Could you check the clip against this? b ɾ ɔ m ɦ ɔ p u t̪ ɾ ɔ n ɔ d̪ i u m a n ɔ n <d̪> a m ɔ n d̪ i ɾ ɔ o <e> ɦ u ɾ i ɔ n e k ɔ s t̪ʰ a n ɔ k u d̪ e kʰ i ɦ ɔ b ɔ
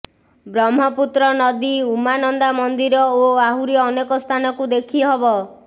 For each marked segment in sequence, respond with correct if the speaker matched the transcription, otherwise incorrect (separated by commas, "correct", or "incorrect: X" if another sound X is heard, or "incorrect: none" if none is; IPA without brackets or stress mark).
correct, incorrect: a